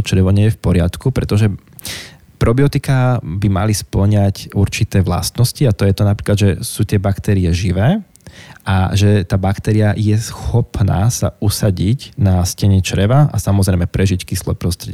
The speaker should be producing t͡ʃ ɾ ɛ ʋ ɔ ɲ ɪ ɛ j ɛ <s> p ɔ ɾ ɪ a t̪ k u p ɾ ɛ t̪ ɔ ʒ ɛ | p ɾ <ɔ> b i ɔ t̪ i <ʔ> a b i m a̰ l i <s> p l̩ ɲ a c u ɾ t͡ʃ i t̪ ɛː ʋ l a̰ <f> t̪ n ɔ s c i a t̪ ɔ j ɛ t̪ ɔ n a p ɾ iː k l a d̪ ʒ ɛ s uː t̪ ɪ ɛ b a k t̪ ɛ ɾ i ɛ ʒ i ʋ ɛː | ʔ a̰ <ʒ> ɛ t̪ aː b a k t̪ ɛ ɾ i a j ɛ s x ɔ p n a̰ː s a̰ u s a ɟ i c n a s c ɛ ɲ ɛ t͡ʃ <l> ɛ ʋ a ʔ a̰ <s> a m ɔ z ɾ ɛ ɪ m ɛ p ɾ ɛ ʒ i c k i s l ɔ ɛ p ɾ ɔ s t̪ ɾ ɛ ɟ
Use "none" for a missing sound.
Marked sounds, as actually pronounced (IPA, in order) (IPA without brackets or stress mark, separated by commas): f, ɔ, k, s, s, ʒ, ɾ, s